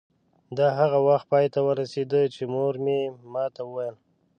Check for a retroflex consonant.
absent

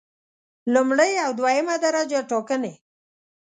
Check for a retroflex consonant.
present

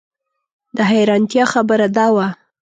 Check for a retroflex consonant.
absent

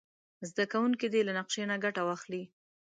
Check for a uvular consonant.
present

